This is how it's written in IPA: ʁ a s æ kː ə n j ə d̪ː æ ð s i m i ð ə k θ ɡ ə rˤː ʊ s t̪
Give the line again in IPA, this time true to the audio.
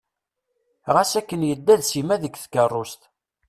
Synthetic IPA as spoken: ʁ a s æ kː ə n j ə d̪ː æ ð s i m æ ð ə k θ k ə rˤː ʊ s t̪